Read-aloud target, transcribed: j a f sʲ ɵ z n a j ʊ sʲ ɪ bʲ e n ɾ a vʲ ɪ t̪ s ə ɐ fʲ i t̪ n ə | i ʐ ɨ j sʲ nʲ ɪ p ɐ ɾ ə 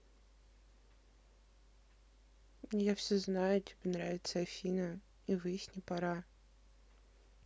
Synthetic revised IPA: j a f sʲ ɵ z n a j ʊ tʲ ɪ bʲ e n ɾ a vʲ ɪ t̪ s ə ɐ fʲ i n ə | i v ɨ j sʲ nʲ ɪ p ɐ ɾ a